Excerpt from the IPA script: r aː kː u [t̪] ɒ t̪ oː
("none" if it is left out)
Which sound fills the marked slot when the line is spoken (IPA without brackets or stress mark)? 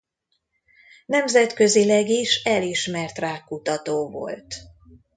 t̪